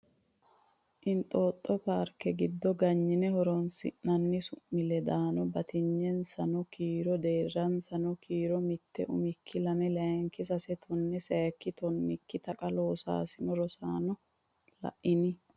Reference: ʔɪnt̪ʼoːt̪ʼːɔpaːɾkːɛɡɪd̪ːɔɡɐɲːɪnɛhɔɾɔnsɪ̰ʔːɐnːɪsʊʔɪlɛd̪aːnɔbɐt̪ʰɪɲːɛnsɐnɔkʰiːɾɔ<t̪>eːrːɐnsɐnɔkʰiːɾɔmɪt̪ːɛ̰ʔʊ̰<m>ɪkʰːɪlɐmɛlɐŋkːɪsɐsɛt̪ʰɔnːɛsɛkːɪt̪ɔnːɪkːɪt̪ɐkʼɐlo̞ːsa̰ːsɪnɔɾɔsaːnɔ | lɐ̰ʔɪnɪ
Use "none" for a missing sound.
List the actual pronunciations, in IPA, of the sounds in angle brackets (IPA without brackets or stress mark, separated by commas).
d̪, m